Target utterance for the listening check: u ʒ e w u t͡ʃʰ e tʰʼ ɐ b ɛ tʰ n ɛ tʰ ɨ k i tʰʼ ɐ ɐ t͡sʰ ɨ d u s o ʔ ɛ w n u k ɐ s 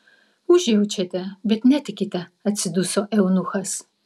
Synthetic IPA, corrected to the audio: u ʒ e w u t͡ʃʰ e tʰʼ ɐ b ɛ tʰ n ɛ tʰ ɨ k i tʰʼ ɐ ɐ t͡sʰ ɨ d u s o ʔ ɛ w n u x ɐ s